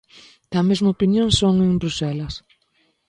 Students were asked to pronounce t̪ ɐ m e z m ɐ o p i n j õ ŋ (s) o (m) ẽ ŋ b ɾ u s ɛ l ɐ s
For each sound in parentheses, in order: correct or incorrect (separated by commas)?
correct, incorrect